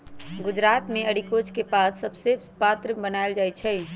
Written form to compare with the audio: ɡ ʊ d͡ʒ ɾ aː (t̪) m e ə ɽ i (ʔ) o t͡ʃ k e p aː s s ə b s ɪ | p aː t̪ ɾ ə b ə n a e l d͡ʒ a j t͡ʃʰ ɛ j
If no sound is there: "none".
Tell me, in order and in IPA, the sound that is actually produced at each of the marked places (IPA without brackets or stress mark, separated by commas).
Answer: t̪, k